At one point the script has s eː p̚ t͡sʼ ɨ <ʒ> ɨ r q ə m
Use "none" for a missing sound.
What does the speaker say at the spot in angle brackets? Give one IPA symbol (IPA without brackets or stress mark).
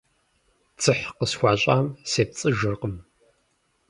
ʒ